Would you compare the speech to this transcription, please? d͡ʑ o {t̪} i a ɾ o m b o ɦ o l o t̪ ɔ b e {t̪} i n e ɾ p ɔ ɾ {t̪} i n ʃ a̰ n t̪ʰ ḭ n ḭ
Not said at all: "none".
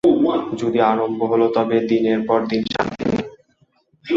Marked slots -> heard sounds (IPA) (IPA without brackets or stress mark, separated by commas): d̪, d̪, d̪